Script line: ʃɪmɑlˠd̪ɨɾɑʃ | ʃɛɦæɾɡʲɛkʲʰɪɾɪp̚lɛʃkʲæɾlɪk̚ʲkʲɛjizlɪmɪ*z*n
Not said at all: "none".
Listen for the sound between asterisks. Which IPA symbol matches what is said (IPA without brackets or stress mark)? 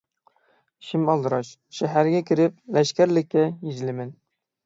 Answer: none